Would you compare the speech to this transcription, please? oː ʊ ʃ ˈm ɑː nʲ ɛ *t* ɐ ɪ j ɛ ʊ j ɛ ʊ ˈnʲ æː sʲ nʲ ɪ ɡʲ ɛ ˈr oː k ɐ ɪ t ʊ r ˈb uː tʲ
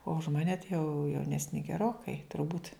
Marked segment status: correct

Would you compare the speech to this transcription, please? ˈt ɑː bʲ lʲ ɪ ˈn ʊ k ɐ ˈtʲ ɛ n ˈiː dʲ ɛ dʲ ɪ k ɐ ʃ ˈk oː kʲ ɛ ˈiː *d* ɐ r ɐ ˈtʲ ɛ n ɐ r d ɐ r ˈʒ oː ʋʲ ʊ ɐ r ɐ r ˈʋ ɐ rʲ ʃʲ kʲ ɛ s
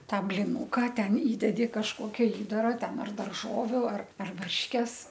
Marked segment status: correct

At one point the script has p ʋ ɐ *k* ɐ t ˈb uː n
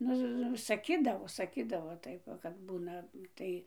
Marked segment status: correct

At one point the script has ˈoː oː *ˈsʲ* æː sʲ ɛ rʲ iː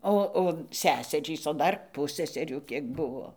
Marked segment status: correct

